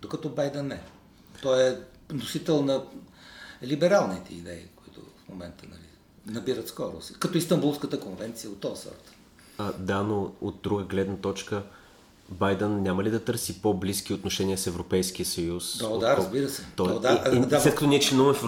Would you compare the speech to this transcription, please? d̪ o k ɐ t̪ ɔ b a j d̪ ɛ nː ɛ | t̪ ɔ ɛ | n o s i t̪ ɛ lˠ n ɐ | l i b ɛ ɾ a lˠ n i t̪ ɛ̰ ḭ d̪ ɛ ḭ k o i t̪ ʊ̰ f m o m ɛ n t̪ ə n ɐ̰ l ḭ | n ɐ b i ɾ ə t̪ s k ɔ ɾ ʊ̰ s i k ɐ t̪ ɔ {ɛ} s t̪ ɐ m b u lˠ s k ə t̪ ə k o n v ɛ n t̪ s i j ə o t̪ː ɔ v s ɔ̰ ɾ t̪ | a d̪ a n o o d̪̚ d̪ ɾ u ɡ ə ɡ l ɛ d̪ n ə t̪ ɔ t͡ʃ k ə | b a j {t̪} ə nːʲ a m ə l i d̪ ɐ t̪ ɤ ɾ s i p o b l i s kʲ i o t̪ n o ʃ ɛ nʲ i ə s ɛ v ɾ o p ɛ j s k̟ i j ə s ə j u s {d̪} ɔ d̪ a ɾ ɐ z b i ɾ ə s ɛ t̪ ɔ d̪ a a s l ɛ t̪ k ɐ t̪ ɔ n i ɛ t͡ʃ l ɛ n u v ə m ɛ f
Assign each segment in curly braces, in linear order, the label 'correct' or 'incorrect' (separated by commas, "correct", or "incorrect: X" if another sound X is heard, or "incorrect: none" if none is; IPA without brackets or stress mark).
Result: incorrect: i, incorrect: d̪, correct